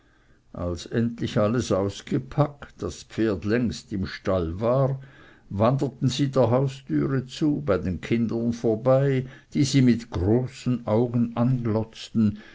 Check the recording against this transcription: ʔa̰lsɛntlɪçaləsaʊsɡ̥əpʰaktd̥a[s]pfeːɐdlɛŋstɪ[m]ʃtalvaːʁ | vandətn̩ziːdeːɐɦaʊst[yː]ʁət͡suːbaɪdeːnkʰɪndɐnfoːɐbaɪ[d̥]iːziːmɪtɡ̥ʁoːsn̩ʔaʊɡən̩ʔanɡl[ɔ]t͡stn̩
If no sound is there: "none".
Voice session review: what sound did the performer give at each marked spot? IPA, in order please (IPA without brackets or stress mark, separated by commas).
s, m, yː, d̥, ɔ